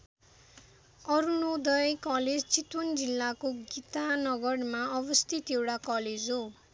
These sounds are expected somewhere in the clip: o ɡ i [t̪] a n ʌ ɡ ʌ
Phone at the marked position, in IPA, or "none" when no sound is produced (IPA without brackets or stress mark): t̪